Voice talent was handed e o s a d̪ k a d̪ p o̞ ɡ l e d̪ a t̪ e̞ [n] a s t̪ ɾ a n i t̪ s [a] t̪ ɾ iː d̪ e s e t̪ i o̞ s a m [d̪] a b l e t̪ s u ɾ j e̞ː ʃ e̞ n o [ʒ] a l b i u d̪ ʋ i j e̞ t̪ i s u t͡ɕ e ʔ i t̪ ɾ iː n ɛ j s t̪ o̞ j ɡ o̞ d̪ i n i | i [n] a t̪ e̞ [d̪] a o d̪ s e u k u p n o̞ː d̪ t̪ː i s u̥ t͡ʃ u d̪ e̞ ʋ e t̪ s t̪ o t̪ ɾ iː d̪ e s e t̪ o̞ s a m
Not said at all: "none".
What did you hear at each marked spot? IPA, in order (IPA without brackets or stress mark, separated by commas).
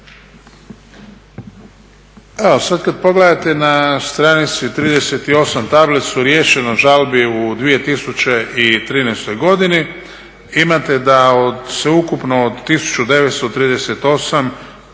n, i, t̪, ʒ, m, d̪